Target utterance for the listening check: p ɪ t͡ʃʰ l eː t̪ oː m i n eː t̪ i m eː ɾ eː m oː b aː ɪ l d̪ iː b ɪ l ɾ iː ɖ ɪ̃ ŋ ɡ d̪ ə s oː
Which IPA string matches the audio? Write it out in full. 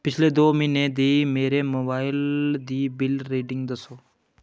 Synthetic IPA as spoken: p ɪ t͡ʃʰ l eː d̪ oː m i n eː d̪ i m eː ɾ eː m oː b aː ɪ l d̪ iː b ɪ l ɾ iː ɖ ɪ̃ ŋ ɡ d̪ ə s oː